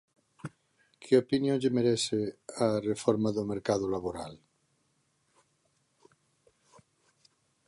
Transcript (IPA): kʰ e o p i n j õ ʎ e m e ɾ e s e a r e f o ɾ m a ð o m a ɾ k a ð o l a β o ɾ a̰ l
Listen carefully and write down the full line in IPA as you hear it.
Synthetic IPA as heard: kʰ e o p i n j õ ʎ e m e ɾ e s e a r e f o ɾ m a ð o m e ɾ k a ð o l a β o ɾ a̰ l